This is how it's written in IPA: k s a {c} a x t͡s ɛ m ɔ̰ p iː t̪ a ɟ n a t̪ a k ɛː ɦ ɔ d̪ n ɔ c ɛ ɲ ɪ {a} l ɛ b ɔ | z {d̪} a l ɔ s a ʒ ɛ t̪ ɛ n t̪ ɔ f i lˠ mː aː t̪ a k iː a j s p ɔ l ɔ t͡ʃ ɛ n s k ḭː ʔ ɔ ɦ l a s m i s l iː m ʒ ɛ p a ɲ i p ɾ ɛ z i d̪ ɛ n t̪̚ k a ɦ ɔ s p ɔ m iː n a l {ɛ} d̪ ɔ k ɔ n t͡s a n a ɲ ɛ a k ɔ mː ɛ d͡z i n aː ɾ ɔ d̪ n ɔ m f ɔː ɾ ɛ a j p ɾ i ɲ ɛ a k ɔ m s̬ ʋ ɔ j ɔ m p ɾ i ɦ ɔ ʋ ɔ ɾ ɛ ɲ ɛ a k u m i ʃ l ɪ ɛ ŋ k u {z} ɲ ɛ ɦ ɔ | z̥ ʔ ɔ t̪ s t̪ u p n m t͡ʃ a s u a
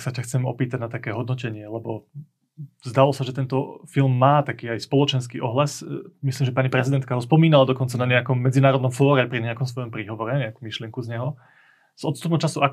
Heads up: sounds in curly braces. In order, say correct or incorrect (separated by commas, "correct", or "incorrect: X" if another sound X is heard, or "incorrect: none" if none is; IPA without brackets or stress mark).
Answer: correct, incorrect: ɛ, correct, incorrect: a, correct